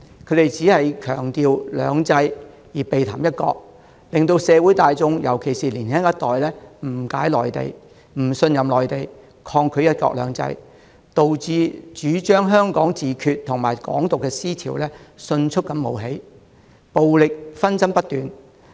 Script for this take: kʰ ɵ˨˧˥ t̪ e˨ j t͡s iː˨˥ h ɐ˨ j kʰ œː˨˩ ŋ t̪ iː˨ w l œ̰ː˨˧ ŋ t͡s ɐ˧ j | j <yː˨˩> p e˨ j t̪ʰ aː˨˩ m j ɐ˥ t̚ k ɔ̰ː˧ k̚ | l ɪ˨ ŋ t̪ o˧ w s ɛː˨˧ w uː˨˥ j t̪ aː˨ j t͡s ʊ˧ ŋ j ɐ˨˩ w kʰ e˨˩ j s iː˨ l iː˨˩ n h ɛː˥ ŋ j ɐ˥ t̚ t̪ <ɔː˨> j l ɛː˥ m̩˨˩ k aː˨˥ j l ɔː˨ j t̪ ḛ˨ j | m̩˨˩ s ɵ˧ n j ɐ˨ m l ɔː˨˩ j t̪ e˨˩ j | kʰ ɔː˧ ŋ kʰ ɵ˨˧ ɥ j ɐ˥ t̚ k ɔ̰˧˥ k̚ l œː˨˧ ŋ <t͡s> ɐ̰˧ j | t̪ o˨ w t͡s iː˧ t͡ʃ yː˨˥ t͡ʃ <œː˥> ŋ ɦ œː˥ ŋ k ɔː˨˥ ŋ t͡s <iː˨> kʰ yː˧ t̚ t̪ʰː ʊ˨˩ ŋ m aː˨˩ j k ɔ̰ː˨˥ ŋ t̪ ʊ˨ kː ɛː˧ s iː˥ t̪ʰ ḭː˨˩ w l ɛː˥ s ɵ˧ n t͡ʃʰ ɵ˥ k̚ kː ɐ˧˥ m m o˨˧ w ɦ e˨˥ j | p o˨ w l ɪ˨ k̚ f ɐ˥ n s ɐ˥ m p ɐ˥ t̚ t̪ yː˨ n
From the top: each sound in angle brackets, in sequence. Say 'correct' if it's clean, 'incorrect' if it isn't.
incorrect: iː˨˩, correct, correct, correct, correct

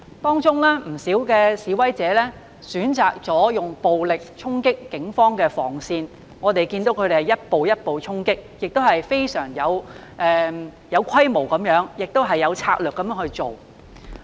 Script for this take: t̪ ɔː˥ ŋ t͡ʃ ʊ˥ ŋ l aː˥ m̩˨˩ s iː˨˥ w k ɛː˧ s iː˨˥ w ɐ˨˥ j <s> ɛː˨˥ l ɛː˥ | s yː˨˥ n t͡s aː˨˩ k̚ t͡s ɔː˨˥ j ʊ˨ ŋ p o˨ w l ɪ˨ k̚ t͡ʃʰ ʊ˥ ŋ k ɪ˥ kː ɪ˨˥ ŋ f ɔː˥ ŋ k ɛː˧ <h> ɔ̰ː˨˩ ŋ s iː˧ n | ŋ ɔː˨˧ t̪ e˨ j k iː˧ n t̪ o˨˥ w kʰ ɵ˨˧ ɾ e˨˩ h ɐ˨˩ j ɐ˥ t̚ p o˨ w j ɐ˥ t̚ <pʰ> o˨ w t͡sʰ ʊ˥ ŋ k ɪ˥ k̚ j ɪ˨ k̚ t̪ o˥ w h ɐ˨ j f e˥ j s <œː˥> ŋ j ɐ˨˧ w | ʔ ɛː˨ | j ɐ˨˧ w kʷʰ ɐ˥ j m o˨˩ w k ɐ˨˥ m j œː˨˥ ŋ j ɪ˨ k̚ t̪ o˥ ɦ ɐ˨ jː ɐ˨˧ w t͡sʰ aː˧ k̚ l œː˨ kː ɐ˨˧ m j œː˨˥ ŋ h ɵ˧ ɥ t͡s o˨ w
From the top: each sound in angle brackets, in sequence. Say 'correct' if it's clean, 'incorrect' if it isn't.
incorrect: t͡s, incorrect: f, incorrect: p, incorrect: œː˨˩

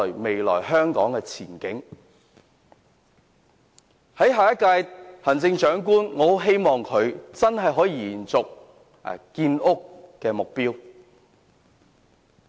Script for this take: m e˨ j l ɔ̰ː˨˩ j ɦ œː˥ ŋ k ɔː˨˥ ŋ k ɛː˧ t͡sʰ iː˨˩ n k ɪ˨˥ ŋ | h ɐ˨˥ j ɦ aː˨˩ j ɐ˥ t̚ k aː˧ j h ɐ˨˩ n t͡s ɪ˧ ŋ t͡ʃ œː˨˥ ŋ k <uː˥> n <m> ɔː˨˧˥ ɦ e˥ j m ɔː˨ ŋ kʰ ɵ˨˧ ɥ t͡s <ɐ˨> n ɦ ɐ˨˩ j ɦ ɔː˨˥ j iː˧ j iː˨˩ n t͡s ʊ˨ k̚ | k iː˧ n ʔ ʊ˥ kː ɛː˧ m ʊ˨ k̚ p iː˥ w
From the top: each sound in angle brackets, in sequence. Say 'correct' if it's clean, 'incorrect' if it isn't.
correct, incorrect: ŋ, incorrect: ɐ˥

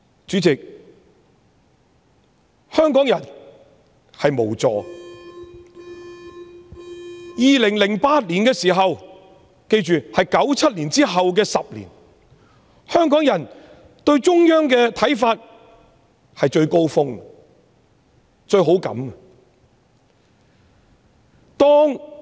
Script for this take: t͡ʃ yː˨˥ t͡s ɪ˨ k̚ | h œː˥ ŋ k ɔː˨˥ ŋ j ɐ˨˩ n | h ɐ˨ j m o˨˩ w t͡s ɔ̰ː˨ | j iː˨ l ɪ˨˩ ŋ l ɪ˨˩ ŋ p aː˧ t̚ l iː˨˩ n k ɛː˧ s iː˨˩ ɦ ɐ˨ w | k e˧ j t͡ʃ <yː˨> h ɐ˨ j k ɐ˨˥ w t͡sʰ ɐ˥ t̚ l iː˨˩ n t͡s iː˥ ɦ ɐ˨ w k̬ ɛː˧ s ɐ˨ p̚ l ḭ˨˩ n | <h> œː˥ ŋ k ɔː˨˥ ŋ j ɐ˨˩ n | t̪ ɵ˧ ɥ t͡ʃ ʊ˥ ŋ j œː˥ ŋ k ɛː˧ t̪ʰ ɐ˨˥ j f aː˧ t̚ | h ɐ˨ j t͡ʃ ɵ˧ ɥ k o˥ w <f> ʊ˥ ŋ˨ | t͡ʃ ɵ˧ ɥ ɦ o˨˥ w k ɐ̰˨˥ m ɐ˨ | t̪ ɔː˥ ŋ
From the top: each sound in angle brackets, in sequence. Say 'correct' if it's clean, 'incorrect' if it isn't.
correct, correct, correct

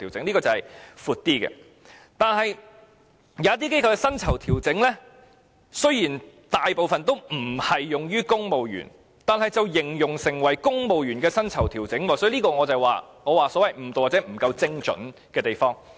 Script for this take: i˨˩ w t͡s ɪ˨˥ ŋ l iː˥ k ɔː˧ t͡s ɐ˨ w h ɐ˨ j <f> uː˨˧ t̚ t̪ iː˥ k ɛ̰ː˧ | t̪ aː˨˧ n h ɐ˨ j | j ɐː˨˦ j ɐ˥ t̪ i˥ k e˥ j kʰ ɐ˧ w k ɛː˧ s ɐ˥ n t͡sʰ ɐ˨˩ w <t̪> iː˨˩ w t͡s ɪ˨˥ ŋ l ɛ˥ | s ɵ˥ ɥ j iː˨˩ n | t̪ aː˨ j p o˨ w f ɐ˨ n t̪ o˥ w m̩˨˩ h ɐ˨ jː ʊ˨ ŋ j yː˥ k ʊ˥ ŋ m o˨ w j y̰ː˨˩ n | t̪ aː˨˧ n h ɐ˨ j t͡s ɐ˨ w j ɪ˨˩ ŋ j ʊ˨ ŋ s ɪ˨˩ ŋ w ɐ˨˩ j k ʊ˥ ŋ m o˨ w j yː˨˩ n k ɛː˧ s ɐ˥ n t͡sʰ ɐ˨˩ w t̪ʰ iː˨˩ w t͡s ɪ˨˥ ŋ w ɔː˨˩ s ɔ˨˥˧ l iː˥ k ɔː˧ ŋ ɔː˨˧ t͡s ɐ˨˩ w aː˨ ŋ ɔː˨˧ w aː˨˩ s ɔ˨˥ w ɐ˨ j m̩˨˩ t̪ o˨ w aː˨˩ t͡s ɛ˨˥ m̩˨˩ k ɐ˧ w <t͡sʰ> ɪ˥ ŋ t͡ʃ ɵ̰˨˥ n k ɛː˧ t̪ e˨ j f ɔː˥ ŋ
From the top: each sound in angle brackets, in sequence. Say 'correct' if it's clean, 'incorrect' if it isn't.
correct, incorrect: t̪ʰ, incorrect: t͡s

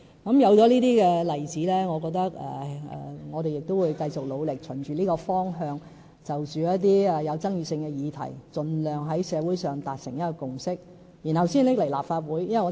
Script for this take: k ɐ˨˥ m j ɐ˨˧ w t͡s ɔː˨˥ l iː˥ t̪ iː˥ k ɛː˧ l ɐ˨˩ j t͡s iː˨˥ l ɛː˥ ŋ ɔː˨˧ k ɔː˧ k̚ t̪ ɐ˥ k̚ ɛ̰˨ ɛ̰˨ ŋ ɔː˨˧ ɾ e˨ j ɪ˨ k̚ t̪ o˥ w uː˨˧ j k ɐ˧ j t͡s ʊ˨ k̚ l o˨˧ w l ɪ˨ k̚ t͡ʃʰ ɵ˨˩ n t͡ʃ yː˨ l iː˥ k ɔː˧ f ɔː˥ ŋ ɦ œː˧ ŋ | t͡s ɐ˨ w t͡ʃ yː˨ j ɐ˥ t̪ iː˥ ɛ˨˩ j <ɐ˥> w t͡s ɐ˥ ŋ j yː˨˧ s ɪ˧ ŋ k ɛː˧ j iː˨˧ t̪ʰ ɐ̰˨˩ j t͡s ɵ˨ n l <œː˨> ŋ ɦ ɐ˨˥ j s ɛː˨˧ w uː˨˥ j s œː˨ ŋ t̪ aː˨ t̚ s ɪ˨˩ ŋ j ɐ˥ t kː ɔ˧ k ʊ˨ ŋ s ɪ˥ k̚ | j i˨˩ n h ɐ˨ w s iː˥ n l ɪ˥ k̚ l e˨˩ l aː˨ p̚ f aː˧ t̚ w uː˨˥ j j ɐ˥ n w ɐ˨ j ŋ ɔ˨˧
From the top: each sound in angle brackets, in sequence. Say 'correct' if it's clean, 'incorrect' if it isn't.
incorrect: ɐ˨˧, correct

